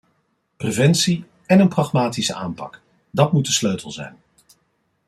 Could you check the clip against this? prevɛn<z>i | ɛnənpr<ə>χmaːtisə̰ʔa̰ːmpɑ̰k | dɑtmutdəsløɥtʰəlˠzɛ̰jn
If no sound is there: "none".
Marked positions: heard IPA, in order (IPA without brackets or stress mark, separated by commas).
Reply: s, ɑ